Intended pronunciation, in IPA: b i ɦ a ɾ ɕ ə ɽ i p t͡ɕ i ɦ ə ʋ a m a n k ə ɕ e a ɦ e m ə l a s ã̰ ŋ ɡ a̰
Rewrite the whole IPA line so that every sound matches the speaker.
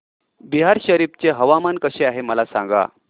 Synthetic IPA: b i ɦ a ɾ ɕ ə ɾ i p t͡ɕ e ɦ ə ʋ a m a n k ə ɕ e a ɦ e m ə l a s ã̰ ŋ ɡ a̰